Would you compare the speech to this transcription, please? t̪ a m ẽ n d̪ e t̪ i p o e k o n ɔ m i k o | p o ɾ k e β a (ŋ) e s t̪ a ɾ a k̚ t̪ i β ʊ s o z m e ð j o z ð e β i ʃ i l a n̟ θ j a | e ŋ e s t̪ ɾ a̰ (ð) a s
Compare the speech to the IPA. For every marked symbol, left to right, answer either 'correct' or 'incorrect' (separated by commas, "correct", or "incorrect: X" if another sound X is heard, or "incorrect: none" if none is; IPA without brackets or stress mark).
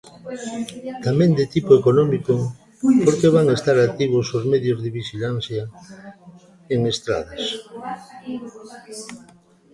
correct, correct